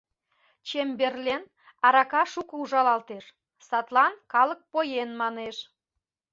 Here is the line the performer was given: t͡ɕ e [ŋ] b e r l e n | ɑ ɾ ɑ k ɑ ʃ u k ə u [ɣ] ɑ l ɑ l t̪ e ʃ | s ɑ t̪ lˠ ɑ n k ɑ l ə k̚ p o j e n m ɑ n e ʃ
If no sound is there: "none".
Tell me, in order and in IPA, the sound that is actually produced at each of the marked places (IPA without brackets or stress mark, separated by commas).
m, ʒ